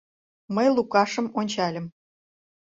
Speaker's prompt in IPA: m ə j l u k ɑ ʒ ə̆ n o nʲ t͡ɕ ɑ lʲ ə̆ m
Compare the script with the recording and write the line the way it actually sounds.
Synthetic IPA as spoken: m ə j l u k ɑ ʃ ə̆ m o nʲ t͡ɕ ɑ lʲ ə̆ m